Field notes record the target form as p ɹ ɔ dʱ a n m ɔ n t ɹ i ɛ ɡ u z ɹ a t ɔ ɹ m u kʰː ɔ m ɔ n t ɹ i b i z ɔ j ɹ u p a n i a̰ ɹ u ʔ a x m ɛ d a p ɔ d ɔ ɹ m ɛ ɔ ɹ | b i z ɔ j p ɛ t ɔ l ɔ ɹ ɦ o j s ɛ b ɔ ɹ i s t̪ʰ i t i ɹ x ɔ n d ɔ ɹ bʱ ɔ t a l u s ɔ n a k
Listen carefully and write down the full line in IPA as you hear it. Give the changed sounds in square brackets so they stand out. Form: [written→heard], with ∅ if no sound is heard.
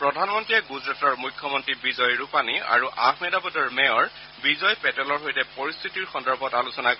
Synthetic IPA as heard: p ɹ ɔ dʱ a n m ɔ n t ɹ i ɛ ɡ u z ɹ a t ɔ ɹ m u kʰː ɔ m ɔ n t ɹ i b i z ɔ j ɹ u p a n i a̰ ɹ u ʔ a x m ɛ d a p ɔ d ɔ ɹ m ɛ ɔ ɹ | b i z ɔ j p ɛ t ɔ l ɔ ɹ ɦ o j [s→t] ɛ [b→p] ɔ ɹ i s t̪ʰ i t i ɹ x ɔ n d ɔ ɹ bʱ ɔ t a l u s ɔ n a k